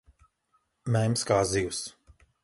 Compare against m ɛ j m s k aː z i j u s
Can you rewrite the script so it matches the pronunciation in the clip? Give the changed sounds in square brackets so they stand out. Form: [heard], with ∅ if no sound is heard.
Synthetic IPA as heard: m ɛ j m s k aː z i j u s